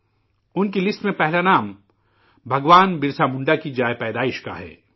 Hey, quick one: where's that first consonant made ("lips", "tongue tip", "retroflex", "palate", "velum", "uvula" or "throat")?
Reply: tongue tip